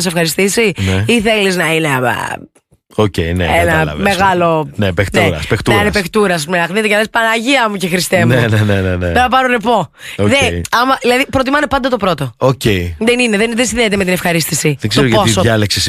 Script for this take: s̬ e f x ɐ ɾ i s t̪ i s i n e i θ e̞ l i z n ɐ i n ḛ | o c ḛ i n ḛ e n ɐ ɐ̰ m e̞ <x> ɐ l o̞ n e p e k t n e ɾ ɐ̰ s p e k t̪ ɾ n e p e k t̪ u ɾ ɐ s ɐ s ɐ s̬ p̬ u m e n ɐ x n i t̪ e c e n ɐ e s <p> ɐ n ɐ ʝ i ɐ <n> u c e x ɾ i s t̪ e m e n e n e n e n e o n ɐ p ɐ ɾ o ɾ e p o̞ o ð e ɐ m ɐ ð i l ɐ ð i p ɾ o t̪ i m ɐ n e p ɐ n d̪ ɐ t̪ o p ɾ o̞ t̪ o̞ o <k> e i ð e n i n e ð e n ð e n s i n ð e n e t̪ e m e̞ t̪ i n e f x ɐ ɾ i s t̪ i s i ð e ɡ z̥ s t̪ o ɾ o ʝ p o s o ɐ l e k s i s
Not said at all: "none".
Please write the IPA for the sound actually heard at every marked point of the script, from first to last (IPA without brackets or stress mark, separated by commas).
ɣ, p, m, c